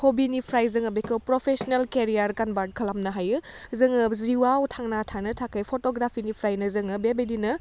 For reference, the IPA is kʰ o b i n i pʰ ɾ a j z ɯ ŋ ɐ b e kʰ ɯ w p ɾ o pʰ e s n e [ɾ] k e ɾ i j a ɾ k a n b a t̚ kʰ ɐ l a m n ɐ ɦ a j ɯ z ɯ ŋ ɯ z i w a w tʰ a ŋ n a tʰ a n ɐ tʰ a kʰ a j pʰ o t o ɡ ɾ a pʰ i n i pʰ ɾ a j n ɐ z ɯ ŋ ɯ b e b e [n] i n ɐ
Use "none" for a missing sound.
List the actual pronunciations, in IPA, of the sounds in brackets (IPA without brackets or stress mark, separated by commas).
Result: l, d